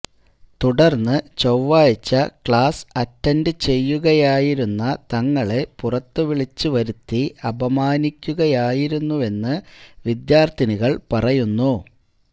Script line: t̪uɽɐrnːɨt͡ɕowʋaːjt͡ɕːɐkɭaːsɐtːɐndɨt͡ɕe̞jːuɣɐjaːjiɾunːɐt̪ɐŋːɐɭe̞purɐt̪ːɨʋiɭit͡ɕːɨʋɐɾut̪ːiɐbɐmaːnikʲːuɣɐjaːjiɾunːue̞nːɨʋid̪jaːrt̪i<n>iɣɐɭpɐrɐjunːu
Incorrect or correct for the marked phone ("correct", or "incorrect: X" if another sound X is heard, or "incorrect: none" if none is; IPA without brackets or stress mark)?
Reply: correct